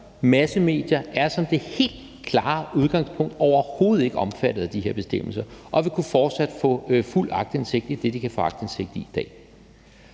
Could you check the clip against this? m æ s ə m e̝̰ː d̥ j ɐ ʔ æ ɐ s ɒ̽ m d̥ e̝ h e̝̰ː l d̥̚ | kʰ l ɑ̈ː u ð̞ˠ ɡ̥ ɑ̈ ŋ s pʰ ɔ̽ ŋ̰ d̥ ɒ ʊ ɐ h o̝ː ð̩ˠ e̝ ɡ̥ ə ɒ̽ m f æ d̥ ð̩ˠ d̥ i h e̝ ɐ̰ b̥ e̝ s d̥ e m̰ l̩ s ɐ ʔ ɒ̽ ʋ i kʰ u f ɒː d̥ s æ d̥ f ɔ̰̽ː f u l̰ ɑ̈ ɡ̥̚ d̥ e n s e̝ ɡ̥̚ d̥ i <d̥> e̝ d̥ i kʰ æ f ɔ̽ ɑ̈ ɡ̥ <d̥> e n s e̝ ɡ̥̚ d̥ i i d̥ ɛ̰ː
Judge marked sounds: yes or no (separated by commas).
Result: yes, yes